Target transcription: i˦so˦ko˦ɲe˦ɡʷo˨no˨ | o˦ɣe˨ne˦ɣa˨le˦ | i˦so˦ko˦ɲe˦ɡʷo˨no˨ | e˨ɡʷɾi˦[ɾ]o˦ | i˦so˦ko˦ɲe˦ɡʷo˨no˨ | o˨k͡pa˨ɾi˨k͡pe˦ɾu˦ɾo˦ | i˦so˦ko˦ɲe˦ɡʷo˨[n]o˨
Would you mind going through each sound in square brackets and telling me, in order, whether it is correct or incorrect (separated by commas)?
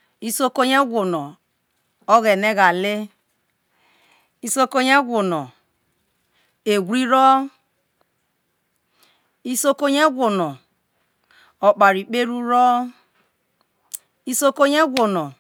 correct, correct